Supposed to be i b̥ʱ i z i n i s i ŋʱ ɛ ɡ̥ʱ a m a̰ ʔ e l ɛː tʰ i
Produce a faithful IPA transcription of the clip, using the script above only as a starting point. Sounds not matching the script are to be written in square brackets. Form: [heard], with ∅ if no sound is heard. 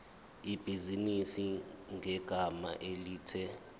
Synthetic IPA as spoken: i b̥ʱ i z i n i s i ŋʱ ɛ ɡ̥ʱ a m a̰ ʔ e l [iː] tʰ [ɛ]

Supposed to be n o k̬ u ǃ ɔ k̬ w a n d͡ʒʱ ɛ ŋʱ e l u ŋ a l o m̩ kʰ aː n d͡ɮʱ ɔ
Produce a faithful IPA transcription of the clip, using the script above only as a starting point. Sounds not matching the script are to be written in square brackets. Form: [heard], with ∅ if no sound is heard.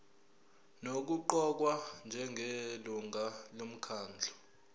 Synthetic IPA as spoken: n o k̬ u ǃ ɔ k̬ w a n d͡ʒʱ ɛ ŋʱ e l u ŋ a l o m̩ kʰ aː n d͡ɮʱ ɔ

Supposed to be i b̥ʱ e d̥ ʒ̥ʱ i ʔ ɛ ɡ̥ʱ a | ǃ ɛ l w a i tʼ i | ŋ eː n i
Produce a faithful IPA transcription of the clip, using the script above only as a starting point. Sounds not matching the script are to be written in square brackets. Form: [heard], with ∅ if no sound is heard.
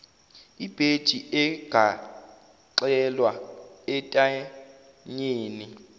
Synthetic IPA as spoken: i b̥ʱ e d̥ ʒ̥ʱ i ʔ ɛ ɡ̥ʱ a | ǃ ɛ l w a [ɛ] tʼ [a] | [ɲ] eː n i

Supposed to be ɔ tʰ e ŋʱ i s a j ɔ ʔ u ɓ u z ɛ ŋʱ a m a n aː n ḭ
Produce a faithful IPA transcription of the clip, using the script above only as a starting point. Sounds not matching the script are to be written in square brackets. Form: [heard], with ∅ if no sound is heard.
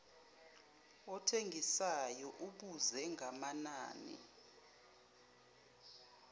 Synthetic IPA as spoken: ɔ tʰ e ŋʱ i s a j ɔ ʔ u ɓ u z ɛ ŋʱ a m a n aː n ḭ

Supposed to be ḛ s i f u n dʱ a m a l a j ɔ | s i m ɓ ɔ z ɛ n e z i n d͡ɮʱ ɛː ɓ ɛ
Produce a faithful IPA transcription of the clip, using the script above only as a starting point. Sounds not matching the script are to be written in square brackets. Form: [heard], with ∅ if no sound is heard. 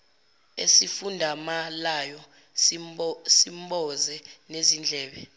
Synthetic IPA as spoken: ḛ s i f u n dʱ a m a l a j ɔ | s i m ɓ ɔ z ɛ n e z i n d͡ɮʱ ɛː ɓ ɛ

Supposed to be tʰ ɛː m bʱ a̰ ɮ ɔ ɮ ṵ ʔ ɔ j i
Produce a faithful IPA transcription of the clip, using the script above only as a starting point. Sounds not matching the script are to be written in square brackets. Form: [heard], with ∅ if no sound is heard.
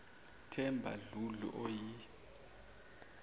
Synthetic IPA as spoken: tʰ [ɛ] m bʱ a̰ ɮ [u] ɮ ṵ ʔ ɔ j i

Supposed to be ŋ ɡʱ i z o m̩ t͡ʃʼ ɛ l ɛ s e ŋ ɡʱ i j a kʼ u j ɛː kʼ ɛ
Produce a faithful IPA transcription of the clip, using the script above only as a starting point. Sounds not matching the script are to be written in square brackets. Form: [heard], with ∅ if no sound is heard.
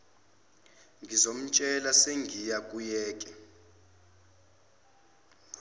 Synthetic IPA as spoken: ŋ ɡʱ i z o m̩ t͡ʃʼ ɛ l [a] s e ŋ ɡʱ i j a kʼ u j ɛː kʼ ɛ

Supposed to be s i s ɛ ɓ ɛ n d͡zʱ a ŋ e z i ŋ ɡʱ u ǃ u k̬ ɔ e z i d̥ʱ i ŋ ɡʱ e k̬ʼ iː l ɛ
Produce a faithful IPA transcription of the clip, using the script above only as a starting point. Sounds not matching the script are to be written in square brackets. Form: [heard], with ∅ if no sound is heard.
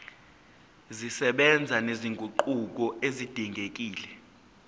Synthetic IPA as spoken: [z] i s ɛ ɓ ɛ n d͡zʱ a [n] e z i ŋ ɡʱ u ǃ u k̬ ɔ e z i d̥ʱ i ŋ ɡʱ e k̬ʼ iː l ɛ

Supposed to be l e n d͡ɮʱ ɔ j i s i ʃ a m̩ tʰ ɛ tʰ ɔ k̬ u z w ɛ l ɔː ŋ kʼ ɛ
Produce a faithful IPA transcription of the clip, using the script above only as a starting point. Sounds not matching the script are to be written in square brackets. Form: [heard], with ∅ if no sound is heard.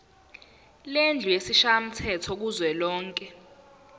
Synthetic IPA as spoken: l e n d͡ɮʱ [u] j [e] s i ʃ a m̩ tʰ ɛ tʰ ɔ k̬ u z w ɛ l ɔː ŋ kʼ ɛ

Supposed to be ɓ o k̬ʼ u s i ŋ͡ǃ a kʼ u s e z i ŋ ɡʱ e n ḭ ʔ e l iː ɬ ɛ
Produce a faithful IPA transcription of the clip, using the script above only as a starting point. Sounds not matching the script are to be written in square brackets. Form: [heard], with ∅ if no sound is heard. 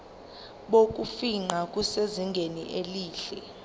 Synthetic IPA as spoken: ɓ o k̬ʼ u [f] i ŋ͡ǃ a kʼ u s e z i ŋ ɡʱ e n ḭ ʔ e l iː ɬ ɛ

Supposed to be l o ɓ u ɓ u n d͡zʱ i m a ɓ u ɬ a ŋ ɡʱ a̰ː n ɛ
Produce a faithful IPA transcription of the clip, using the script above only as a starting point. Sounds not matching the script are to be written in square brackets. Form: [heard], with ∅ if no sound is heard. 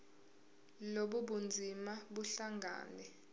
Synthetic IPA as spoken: l o ɓ u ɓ u n d͡zʱ i m a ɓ u ɬ a ŋ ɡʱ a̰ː n ɛ

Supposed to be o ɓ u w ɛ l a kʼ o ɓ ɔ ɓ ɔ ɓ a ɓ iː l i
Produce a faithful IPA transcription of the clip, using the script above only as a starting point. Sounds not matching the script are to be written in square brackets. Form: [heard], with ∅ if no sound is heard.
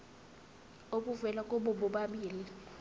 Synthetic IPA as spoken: o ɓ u [v] ɛ l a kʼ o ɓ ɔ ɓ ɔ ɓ a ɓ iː l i

